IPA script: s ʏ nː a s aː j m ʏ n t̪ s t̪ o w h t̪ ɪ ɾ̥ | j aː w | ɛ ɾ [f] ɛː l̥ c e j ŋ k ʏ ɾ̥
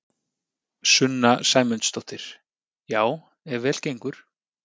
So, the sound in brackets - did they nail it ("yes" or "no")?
no